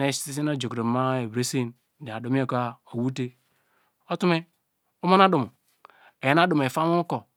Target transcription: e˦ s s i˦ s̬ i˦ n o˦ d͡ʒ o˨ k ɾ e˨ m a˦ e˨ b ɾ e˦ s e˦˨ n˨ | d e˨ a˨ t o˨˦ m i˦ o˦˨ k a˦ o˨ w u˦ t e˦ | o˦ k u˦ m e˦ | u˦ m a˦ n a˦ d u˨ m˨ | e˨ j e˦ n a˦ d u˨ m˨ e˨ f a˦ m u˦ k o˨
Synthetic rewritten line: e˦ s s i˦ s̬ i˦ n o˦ d͡ʒ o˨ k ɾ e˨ m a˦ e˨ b ɾ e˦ s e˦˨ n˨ | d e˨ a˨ d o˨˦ m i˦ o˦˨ k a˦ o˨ w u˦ t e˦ | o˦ t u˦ m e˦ | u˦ m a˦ n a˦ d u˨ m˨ | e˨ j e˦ n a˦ d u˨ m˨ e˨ f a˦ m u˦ k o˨